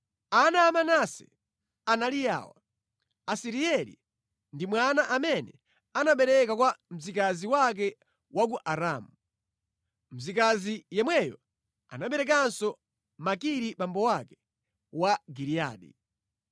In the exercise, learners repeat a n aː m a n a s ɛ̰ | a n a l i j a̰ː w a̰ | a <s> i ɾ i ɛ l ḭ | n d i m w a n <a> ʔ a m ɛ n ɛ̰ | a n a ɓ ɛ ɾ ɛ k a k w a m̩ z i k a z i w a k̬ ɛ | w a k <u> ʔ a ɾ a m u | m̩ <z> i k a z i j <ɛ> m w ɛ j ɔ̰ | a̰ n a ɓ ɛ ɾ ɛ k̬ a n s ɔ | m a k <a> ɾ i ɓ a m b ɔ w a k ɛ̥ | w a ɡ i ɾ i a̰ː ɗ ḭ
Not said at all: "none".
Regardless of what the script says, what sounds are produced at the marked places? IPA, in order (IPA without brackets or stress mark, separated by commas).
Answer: s, a, u, z, ɛ, i